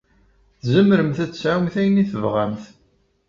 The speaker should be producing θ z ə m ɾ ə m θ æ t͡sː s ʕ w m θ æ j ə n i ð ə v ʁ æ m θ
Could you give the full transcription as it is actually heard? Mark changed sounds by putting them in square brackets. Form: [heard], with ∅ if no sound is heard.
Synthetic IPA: θ z ə m ɾ ə m θ æ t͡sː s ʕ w m θ æ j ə n i [θ] ə v ʁ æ m θ